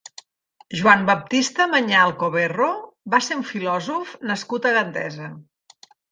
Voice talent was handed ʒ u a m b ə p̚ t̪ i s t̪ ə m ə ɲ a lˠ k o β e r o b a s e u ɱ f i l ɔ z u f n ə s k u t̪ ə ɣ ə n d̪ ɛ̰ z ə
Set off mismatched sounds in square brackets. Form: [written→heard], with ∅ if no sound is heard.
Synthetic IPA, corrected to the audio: ʒ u a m b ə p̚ t̪ i s t̪ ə m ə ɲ a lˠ k o β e r o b a s e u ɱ f i l ɔ z u f n ə s k u t̪ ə ɣ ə n d̪ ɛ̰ z ə

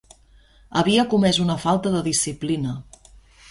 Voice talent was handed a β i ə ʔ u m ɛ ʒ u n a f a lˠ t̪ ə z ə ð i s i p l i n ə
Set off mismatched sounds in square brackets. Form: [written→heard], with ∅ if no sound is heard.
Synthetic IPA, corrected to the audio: [a→ə] β i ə [ʔ→k] u m ɛ [ʒ→z] u n [a→ə] f a lˠ t̪ ə [z→ð] ə ð i s i p l i n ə

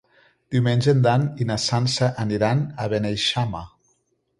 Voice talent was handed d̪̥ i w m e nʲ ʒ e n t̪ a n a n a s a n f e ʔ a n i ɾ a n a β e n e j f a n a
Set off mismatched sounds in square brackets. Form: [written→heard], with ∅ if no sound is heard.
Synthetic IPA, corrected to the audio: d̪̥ i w m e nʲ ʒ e n [t̪→d̪] a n [a→i] n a s a n [f→s] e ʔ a n i ɾ a n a β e n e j [f→ʃ] a [n→m] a

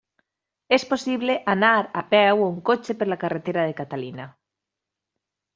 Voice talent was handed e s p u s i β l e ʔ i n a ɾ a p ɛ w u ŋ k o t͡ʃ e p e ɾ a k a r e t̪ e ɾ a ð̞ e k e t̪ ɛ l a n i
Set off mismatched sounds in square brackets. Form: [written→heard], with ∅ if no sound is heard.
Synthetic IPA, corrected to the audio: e s p [u→o] s i β l e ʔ [i→a] n a ɾ a p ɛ w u ŋ k o t͡ʃ e p e [ɾ→l] a k a r e t̪ e ɾ a ð̞ e k [e→a] t̪ [ɛ→a] l [a→i] n [i→a]

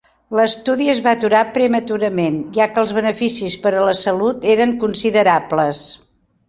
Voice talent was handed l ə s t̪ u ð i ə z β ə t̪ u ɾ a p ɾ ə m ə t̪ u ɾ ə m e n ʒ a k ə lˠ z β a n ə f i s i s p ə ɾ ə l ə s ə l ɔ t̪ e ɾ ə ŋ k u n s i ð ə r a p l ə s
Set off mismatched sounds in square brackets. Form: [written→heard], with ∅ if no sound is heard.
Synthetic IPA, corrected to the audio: l ə s t̪ u ð i ə z β [ə→a] t̪ u ɾ a p ɾ ə m ə t̪ u ɾ ə m e n ʒ a k ə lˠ z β [a→ə] n ə f i s i s p ə ɾ ə l ə s ə l [ɔ→u] t̪ e ɾ ə ŋ k u n s i ð ə [r→ɾ] a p l ə s

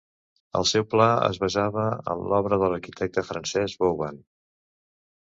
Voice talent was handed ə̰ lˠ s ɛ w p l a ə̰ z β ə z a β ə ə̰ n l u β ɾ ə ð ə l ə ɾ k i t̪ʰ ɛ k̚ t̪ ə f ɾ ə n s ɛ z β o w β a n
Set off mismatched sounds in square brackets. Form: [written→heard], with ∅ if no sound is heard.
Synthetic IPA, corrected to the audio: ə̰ lˠ s ɛ w p l a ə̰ z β ə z a β ə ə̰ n l [u→ɔ] β ɾ ə ð ə l ə ɾ k i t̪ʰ ɛ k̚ t̪ ə f ɾ ə n s ɛ z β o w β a n

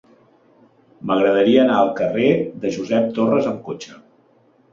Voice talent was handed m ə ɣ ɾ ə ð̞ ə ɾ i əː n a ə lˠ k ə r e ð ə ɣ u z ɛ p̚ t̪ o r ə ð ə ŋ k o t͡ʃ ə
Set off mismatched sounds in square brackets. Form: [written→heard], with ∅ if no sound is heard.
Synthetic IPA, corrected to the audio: m ə ɣ ɾ ə ð̞ ə ɾ i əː n a ə lˠ k ə r e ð ə [ɣ→ʒ] u z ɛ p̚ t̪ o r ə [ð→z] ə [ŋ→m] k o t͡ʃ ə

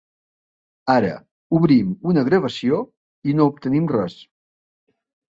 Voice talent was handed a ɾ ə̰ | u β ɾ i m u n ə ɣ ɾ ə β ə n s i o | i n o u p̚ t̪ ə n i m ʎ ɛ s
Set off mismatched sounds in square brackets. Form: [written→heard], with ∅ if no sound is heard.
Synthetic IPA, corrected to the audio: a ɾ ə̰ | u β ɾ i m u n ə ɣ ɾ ə β ə [n→∅] s i o | i n o u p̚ t̪ ə n i m [ʎ→r] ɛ s

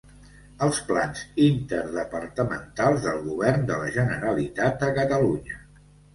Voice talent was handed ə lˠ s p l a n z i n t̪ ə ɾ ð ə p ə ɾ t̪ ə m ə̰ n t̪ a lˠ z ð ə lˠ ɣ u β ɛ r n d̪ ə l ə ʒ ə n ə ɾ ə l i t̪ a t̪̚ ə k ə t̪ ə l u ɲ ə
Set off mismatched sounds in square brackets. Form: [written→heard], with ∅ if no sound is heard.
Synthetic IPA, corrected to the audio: ə lˠ s p l a n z i n t̪ ə ɾ ð ə p ə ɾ t̪ ə m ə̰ n t̪ a lˠ z ð ə lˠ ɣ u β ɛ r n d̪ ə l ə ʒ ə n ə ɾ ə l i t̪ a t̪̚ ə k ə t̪ ə l u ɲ ə

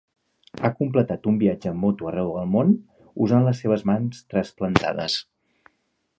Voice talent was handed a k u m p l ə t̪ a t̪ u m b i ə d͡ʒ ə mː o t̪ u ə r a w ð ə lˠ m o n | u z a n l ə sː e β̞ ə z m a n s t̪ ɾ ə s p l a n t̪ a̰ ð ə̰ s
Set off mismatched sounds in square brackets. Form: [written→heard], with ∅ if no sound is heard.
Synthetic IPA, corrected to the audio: a k u m p l ə t̪ a t̪ u m b i [ə→a] d͡ʒ ə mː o t̪ u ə r [a→ɛ] w ð ə lˠ m o n | u z a n l ə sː e β̞ ə z m a n s t̪ ɾ ə s p l [a→ə] n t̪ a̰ ð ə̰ s

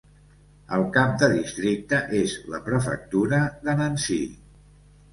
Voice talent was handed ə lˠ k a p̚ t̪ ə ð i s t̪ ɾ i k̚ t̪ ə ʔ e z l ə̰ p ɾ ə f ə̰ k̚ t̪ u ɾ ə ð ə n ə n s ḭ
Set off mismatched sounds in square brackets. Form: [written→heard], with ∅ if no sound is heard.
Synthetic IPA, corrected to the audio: ə lˠ k a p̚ [t̪→d̪] ə ð i s t̪ ɾ i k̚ t̪ ə ʔ e z l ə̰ p ɾ ə f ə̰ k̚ t̪ u ɾ ə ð ə n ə n s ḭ

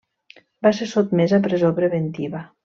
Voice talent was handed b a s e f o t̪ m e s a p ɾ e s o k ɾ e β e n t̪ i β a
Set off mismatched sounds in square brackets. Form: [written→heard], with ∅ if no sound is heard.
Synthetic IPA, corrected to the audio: b a s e [f→s] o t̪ m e [s→z] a p ɾ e [s→z] o [k→p] ɾ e β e n t̪ i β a

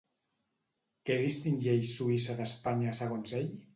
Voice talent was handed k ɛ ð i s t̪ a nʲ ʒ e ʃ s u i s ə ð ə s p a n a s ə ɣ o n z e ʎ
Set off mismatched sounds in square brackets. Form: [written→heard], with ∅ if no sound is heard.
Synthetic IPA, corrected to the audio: k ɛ ð i s t̪ [a→i] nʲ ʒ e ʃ s u i s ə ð ə s p a [n→ɲ] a s ə ɣ o n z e ʎ

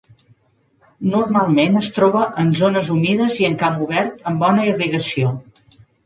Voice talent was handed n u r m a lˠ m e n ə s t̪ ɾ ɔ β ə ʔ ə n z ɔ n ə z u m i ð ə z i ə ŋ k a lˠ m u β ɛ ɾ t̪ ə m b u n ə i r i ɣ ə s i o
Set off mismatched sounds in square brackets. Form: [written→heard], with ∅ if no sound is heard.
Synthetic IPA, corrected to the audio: n u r m a lˠ m e n ə s t̪ ɾ ɔ β ə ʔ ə n z [ɔ→o] n ə z u m i ð ə z i ə ŋ k a [lˠ→∅] m u β ɛ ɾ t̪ ə m b [u→ɔ] n ə i r i ɣ ə s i o

